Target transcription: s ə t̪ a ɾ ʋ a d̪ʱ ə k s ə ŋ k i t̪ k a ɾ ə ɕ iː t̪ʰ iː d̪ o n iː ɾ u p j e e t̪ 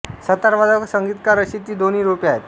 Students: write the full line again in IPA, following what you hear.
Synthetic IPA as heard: s ə t̪ a ɾ ʋ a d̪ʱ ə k s ə ŋ ɡ i t̪ k a ɾ ə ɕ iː t̪ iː d̪ o n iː ɾ u p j a e t̪